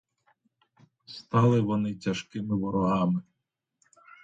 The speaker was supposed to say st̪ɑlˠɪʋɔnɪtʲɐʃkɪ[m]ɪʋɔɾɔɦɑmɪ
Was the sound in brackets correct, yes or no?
yes